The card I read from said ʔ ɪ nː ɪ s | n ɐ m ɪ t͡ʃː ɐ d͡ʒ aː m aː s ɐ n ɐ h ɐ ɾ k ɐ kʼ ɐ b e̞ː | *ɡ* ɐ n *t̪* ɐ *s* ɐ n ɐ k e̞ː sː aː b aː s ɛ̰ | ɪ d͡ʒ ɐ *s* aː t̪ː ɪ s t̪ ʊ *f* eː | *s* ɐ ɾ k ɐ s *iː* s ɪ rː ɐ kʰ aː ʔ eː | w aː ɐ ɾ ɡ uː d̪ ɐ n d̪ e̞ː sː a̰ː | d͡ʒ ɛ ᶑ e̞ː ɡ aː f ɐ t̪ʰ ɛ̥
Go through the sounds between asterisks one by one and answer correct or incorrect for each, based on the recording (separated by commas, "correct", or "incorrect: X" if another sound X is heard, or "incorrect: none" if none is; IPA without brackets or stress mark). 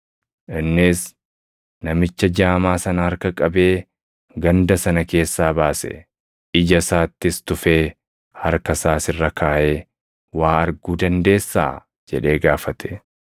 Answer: correct, incorrect: d̪, correct, correct, correct, incorrect: h, incorrect: aː